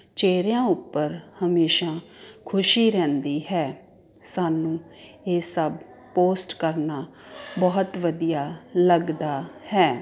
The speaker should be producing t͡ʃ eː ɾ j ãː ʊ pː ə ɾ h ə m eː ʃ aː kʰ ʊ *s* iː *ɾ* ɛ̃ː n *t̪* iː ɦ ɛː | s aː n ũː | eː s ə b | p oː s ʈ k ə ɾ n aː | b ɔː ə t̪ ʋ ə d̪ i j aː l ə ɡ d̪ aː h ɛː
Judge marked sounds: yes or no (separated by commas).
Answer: no, yes, no